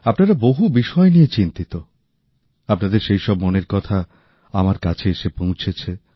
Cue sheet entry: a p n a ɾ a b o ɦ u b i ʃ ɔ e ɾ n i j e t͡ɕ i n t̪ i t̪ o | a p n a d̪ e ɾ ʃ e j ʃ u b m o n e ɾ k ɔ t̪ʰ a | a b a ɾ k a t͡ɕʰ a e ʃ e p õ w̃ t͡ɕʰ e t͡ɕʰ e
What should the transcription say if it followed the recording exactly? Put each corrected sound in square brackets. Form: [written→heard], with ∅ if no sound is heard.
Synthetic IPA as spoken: a p n a ɾ a b o ɦ u b i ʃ ɔ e [ɾ→∅] n i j e t͡ɕ i n t̪ i t̪ o | a p n a d̪ e ɾ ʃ e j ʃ [u→ɔ] b m o n e ɾ k ɔ t̪ʰ a | a [b→m] a ɾ k a t͡ɕʰ [a→e] e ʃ e p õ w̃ t͡ɕʰ e t͡ɕʰ e